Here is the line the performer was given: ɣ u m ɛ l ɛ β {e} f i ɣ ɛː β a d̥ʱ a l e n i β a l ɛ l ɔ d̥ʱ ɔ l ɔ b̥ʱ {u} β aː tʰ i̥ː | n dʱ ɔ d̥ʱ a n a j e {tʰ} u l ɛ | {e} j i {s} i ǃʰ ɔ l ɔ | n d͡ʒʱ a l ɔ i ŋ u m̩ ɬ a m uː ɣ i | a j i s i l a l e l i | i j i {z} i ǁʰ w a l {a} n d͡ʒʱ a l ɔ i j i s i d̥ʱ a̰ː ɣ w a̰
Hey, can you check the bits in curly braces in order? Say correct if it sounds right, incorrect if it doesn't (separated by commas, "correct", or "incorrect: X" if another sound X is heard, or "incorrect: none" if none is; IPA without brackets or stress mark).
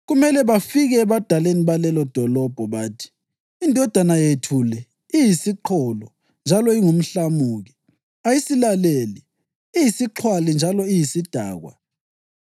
incorrect: a, incorrect: ɔ, correct, incorrect: i, correct, incorrect: s, incorrect: i